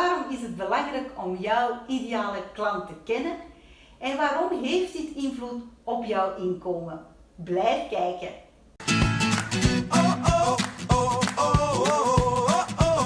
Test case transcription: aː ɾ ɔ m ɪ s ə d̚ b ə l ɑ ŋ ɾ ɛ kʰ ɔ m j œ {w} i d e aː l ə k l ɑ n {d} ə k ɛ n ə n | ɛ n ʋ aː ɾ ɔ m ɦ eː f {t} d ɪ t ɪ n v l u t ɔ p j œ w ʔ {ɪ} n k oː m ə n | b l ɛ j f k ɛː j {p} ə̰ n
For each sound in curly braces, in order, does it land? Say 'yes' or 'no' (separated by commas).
yes, no, yes, yes, no